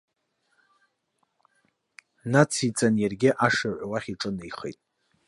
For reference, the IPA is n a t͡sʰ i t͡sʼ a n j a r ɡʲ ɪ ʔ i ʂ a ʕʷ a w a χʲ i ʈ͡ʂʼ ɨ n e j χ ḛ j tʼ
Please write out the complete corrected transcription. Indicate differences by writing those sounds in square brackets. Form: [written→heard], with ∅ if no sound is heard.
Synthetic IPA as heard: n a t͡sʰ i t͡sʼ a n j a r ɡʲ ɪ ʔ [i→a] ʂ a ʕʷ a w a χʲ i ʈ͡ʂʼ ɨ n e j χ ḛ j tʼ